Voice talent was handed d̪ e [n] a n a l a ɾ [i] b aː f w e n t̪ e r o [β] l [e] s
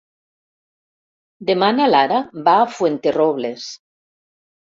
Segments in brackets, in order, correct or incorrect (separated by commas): incorrect, incorrect, correct, correct